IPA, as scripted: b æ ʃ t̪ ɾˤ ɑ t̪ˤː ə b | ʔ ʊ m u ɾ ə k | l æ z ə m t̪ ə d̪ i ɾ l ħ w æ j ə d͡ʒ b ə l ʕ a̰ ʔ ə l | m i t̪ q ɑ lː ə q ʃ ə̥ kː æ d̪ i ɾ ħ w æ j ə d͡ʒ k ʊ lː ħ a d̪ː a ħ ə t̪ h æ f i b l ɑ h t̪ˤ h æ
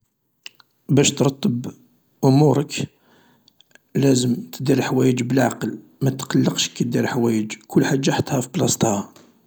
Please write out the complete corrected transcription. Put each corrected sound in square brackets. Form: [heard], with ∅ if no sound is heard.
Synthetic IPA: b æ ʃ t̪ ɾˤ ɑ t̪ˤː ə b | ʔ ʊ m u ɾ ə k | l æ z ə m t̪ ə d̪ i ɾ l ħ w æ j ə d͡ʒ b ə l ʕ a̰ [q] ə l | m [æ] t̪ q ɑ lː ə q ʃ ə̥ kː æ d̪ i ɾ ħ w æ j ə d͡ʒ k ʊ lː ħ a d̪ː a ħ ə t̪ h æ f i b l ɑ [s] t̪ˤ h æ

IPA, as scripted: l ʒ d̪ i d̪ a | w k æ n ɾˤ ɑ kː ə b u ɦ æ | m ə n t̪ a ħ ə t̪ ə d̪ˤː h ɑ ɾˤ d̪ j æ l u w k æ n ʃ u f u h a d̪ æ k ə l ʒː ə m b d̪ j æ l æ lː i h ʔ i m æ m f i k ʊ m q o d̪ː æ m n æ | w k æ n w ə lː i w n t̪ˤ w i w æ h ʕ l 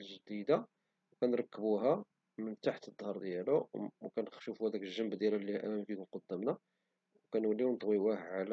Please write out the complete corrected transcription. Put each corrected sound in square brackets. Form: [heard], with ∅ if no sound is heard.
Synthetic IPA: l ʒ d̪ i d̪ a | w k æ n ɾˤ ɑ kː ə b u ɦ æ | m ə n t̪ a ħ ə t̪ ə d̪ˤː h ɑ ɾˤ d̪ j æ l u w k æ n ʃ u f u h [æ] d̪ æ k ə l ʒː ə m b d̪ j æ l æ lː i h ʔ [æ] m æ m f i k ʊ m q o d̪ː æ m n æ | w k æ n w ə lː i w n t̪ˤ w i w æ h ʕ l

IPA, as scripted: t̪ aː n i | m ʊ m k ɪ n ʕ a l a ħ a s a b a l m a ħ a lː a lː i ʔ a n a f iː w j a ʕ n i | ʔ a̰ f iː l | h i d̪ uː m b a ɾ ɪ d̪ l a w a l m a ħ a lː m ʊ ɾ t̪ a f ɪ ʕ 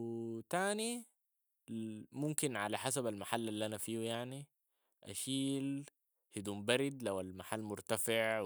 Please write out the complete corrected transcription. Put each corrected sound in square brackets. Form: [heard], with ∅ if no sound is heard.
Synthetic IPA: t̪ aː n i | m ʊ m k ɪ n ʕ a l a ħ a s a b a l m a ħ a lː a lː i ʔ a n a f iː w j a ʕ n i | ʔ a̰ [ʃ] iː l | h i d̪ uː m b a ɾ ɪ d̪ l a w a l m a ħ a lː m ʊ ɾ t̪ a f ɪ ʕ

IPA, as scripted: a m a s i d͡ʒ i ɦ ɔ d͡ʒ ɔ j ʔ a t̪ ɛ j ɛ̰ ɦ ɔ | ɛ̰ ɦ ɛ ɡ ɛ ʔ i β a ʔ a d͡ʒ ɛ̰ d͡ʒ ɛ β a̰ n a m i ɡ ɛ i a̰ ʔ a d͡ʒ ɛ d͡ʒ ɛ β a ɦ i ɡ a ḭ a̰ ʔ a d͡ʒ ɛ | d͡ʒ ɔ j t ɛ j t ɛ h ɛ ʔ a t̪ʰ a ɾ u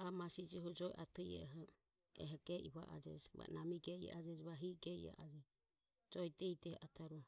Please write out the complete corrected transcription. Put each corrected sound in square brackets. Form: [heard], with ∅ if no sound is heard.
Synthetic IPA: a m a s i d͡ʒ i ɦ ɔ d͡ʒ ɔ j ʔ a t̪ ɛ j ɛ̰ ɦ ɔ | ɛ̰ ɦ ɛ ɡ ɛ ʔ i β a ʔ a d͡ʒ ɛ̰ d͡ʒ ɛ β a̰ n a m i ɡ ɛ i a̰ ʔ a d͡ʒ ɛ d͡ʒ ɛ β a ɦ i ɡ [ɛ] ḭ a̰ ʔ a d͡ʒ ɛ | d͡ʒ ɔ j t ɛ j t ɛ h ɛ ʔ a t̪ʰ a ɾ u

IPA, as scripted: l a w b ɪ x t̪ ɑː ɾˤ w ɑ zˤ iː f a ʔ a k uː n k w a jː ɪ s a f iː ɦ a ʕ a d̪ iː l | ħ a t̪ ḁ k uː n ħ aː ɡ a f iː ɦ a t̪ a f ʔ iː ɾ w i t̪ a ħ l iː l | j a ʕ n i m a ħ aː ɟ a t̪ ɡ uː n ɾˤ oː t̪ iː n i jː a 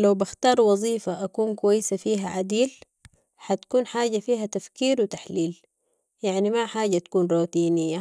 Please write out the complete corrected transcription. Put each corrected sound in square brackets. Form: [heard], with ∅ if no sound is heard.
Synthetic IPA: l a w b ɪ x t̪ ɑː ɾˤ w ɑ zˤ iː f a ʔ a k uː n k w a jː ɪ s a f iː ɦ a ʕ a d̪ iː l | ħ a t̪ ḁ k uː n ħ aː [ɟ] a f iː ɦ a t̪ a f [k] iː ɾ w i t̪ a ħ l iː l | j a ʕ n i m a ħ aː ɟ a t̪ [k] uː n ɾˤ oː t̪ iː n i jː a

